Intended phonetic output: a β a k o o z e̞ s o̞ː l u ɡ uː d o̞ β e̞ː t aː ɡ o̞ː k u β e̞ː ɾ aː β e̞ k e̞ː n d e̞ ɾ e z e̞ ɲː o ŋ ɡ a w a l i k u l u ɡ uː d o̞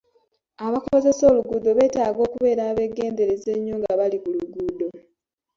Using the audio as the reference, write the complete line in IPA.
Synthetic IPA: a β a k o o z e̞ s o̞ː l u ɡ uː d o̞ β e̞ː t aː ɡ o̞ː k u β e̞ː ɾ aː β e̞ ɡ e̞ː n d e̞ ɾ e z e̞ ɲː o ŋ ɡ a β a l i k u l u ɡ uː d o̞